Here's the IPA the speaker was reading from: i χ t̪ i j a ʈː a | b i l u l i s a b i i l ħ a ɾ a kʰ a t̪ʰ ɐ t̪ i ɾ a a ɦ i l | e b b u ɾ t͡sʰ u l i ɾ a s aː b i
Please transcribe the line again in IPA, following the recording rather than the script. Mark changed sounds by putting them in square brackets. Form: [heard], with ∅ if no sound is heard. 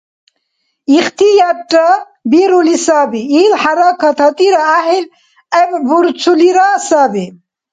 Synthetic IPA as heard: i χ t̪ i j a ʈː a | b i [ɾ] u l i s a b i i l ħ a ɾ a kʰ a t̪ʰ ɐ t̪ i ɾ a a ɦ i l | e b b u ɾ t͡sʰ u l i ɾ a s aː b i